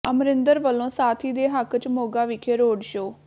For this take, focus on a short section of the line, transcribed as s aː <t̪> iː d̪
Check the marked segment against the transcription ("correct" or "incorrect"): incorrect